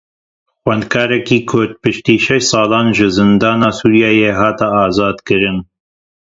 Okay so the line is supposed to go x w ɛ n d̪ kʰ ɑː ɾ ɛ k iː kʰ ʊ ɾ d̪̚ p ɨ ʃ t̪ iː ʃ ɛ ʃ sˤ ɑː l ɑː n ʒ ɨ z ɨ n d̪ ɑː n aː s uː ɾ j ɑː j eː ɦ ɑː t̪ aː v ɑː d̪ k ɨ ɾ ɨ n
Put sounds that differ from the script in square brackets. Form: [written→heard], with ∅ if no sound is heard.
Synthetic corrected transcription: x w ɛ n d̪ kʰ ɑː ɾ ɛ k iː kʰ ʊ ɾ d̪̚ p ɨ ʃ t̪ iː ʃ ɛ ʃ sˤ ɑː l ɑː n ʒ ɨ z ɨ n d̪ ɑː n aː s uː ɾ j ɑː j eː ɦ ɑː t̪ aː [v→z] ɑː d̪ k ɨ ɾ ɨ n